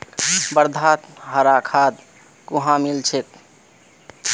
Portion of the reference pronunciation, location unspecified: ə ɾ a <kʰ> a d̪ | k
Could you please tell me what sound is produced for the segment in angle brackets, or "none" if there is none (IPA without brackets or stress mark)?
kʰ